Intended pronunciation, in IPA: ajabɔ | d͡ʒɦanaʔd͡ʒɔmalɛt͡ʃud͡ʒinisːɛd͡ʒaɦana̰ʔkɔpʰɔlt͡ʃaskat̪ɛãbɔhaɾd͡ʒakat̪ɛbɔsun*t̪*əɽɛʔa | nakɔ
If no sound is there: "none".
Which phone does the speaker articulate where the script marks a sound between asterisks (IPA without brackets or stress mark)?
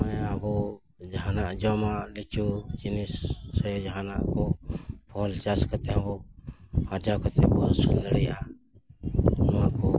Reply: d̪